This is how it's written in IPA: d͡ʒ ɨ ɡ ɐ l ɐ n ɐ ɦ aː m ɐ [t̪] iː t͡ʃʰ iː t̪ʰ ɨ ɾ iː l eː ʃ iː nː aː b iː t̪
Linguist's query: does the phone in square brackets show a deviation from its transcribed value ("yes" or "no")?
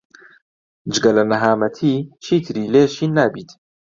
yes